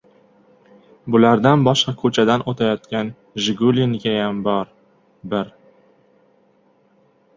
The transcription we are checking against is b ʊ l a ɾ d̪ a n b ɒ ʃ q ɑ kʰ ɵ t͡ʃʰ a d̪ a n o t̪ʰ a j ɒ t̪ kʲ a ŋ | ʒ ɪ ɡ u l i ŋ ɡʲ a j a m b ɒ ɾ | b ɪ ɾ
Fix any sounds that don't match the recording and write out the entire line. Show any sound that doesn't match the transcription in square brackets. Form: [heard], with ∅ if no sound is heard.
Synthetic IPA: b ʊ l a ɾ d̪ a n b ɒ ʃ q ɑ kʰ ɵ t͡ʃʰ a d̪ a n o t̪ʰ a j ɒ t̪ kʲ a [n] | ʒ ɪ ɡ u l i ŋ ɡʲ a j a m b ɒ ɾ | b ɪ ɾ